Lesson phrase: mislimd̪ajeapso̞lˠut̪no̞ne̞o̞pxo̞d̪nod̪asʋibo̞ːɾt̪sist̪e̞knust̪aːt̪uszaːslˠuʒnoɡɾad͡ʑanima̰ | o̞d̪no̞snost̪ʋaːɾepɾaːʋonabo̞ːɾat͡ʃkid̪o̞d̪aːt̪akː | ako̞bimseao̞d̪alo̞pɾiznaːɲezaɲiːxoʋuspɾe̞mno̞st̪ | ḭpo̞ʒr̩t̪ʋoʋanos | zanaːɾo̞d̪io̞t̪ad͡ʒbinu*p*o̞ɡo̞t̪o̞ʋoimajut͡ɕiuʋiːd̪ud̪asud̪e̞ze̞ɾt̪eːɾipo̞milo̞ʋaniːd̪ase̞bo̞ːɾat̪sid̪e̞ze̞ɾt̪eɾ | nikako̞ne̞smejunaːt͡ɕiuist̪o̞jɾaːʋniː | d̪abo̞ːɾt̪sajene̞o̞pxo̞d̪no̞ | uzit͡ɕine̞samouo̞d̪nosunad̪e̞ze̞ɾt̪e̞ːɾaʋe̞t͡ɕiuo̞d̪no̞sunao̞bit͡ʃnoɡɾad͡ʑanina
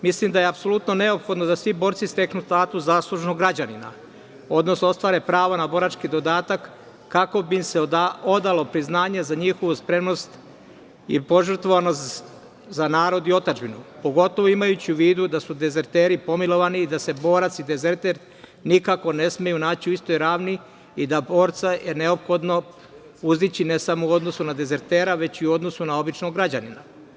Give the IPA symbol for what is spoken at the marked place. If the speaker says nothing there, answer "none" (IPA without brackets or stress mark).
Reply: p